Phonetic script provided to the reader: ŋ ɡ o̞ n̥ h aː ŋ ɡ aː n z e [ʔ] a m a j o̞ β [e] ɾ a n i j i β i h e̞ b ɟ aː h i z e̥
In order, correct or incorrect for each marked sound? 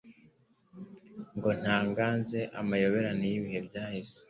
correct, correct

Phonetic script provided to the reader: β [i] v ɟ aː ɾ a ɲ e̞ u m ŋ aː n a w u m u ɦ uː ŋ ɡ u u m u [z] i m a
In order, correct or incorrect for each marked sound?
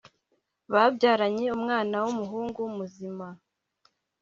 incorrect, correct

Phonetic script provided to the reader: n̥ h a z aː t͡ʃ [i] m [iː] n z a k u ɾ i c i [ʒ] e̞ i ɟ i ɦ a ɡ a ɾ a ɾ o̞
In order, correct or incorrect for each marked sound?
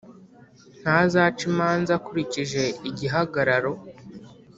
correct, incorrect, correct

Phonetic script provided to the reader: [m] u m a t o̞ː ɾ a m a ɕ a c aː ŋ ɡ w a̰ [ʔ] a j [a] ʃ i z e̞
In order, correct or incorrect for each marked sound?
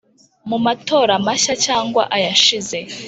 correct, correct, correct

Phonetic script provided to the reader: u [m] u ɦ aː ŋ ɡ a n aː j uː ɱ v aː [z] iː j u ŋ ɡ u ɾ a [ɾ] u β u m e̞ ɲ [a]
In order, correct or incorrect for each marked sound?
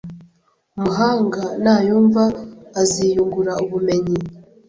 correct, correct, incorrect, incorrect

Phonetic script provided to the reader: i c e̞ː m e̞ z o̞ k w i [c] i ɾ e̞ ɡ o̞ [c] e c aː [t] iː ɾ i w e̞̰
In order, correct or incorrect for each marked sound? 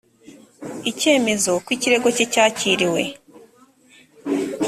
correct, correct, incorrect

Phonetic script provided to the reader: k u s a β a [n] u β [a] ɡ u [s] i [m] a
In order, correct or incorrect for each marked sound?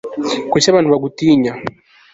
correct, correct, incorrect, incorrect

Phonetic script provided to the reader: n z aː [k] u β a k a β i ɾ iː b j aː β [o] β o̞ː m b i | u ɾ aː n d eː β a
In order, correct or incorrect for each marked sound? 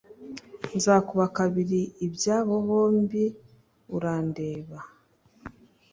correct, correct

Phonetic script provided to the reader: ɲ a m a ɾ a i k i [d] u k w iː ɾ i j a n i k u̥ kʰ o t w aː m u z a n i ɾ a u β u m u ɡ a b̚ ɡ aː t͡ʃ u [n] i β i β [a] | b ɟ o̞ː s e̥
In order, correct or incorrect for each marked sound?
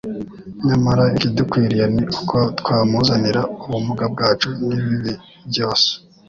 correct, correct, incorrect

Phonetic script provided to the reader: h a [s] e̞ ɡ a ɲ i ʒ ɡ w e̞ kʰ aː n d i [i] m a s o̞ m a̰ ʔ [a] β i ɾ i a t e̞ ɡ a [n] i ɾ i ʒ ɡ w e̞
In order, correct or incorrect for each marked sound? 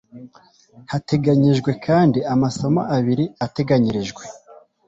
incorrect, incorrect, correct, incorrect

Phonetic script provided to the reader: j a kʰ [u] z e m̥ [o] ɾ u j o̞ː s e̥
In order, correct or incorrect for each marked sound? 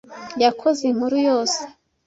incorrect, incorrect

